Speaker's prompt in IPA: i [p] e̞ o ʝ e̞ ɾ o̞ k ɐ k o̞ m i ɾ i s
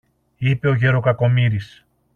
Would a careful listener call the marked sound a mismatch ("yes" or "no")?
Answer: no